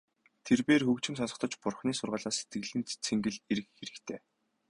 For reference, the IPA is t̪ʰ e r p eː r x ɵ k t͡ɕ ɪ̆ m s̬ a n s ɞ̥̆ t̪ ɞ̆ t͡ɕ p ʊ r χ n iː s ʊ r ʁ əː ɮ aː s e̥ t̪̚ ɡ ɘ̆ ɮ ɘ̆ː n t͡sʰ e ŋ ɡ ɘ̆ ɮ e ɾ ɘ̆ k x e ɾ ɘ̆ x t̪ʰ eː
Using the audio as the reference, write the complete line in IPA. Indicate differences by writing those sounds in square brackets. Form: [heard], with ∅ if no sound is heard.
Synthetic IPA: t̪ʰ e r p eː r x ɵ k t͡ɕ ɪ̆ m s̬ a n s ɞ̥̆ t̪ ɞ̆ t͡ɕ p ʊ r χ n iː s ʊ r ʁ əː ɮ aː s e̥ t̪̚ ɡ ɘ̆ ɮ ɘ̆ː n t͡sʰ e ŋ ɡ ɘ̆ ɮ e ɾ ɘ̆ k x e ɾ ɘ̆ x t̪ʰ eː